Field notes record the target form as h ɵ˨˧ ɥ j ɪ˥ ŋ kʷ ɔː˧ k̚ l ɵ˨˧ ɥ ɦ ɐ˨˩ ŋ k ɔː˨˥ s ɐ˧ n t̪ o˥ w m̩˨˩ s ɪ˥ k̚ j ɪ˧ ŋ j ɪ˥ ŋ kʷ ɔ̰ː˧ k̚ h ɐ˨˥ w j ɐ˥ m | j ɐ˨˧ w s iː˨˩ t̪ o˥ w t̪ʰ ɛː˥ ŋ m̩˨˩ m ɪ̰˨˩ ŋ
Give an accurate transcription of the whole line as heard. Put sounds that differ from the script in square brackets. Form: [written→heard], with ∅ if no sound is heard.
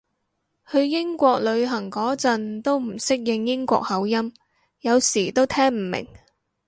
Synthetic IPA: h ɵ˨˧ ɥ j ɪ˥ ŋ kʷ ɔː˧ k̚ l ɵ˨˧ ɥ ɦ ɐ˨˩ ŋ k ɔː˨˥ [s→t͡s] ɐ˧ n t̪ o˥ w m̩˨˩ s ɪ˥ k̚ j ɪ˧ ŋ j ɪ˥ ŋ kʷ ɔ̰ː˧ k̚ h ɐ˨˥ w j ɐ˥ m | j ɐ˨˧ w s iː˨˩ t̪ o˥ w t̪ʰ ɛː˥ ŋ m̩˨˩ m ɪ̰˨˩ ŋ